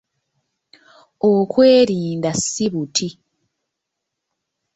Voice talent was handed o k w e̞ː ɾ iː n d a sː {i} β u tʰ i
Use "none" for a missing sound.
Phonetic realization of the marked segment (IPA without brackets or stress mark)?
i